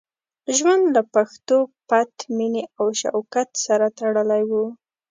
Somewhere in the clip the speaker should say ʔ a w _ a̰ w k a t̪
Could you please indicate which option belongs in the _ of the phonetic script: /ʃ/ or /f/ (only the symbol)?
ʃ